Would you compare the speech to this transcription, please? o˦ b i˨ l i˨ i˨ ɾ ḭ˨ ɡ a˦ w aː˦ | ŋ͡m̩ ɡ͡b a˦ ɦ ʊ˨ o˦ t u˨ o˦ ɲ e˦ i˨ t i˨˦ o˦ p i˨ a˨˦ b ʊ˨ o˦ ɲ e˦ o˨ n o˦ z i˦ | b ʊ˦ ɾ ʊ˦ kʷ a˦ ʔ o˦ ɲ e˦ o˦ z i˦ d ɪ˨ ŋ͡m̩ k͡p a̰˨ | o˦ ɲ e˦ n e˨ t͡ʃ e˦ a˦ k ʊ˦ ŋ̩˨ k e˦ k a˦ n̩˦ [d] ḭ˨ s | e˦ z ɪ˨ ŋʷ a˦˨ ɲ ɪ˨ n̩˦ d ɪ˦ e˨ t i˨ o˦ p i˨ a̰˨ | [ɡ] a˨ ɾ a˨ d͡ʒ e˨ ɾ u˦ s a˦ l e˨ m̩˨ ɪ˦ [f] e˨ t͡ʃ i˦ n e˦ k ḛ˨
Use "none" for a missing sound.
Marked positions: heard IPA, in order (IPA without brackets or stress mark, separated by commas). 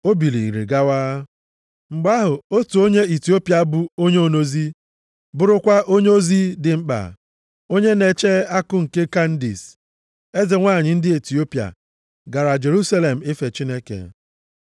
d, ɡ, f